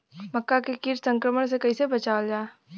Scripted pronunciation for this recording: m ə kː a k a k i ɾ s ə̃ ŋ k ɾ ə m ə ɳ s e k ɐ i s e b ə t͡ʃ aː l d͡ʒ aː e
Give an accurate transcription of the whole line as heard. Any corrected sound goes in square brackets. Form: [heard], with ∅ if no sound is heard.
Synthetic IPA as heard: m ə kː a k [e] k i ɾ s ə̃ ŋ k ɾ ə m ə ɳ s e k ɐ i s e b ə t͡ʃ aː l d͡ʒ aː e